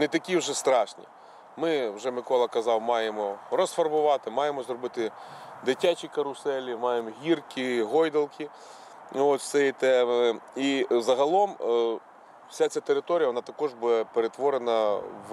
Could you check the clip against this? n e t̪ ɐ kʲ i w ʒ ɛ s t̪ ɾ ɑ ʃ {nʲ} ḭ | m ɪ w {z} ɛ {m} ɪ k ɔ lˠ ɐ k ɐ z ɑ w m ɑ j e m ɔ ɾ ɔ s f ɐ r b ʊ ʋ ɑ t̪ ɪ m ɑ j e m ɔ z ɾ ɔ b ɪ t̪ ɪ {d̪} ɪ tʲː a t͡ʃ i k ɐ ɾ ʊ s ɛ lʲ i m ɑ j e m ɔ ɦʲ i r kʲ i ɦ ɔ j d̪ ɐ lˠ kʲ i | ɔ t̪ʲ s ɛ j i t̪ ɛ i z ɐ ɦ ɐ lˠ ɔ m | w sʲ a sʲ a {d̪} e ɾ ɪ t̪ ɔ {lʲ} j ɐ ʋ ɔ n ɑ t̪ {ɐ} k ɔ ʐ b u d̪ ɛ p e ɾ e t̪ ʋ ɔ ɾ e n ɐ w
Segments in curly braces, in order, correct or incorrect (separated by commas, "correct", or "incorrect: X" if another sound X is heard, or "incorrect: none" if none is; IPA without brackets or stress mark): correct, incorrect: ʒ, correct, correct, incorrect: t̪, incorrect: ɾʲ, correct